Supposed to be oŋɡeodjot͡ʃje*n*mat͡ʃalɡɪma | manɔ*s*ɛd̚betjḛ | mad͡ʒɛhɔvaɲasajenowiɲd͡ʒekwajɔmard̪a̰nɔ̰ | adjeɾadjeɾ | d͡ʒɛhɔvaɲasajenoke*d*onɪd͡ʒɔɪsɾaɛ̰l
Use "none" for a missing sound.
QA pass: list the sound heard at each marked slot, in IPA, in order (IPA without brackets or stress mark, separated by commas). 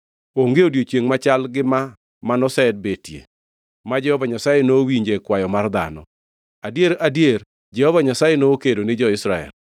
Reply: ŋ, s, d